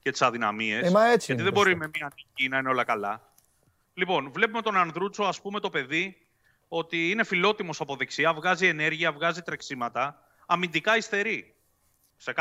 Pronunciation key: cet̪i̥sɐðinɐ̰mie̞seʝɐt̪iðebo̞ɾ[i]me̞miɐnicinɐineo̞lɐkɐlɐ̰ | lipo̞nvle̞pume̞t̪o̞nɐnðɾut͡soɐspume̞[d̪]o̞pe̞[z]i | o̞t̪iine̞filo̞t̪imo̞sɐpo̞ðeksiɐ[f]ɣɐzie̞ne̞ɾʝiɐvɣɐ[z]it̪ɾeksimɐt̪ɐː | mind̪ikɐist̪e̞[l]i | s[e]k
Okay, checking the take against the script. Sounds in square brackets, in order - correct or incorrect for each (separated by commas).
correct, incorrect, incorrect, incorrect, correct, incorrect, correct